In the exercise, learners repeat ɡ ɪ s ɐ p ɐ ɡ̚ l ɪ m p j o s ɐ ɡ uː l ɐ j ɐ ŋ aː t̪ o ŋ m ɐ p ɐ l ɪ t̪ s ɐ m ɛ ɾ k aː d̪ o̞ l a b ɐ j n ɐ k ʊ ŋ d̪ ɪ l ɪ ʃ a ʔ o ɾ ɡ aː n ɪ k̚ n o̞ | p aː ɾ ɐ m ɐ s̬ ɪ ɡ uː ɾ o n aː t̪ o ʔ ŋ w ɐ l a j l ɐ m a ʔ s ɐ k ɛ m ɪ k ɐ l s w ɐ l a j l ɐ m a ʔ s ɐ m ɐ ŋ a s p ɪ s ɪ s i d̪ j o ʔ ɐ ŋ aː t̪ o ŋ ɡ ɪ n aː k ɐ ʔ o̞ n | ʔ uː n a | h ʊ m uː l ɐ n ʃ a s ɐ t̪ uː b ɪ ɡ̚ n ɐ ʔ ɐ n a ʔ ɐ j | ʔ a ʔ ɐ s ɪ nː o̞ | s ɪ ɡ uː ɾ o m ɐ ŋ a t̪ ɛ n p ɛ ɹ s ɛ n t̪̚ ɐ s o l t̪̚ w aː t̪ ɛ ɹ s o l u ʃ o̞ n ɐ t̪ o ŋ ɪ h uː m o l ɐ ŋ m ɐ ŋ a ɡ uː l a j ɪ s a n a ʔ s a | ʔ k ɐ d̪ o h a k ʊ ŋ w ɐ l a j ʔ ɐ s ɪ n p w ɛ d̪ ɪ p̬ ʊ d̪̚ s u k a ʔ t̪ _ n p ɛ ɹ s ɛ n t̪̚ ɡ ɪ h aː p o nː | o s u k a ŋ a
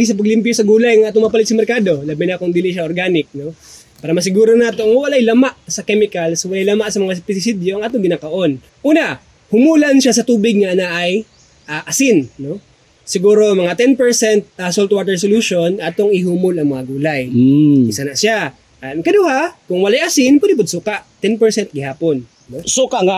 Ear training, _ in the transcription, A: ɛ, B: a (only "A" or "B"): A